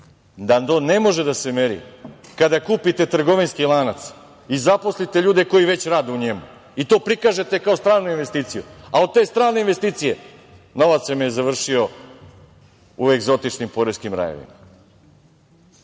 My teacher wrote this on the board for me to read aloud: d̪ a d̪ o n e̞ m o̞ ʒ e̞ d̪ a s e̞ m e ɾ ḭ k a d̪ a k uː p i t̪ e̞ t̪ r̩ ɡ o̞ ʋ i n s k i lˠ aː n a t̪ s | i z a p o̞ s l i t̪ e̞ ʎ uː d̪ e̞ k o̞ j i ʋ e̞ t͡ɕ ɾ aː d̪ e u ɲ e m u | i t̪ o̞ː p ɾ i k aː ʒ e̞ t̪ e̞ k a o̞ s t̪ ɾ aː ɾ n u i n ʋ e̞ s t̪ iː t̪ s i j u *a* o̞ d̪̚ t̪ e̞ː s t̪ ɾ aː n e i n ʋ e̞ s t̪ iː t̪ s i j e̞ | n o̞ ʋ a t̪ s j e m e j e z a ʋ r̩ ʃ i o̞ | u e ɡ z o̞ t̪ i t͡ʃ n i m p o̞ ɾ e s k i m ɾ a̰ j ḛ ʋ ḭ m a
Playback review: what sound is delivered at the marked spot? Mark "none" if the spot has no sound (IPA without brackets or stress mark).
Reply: a